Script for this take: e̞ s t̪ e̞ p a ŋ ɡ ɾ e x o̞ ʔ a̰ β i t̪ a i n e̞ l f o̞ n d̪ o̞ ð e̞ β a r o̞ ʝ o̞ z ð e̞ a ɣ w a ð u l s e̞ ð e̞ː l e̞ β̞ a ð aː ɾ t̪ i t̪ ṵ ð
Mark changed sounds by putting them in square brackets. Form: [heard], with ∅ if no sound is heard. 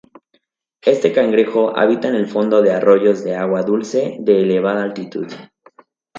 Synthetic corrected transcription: e̞ s t̪ e̞ [k] a ŋ ɡ ɾ e x o̞ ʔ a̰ β i t̪ a [e] n e̞ l f o̞ n d̪ o̞ ð e̞ [∅] a r o̞ ʝ o̞ z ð e̞ a ɣ w a ð u l s e̞ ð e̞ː l e̞ β̞ a ð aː [l] t̪ i t̪ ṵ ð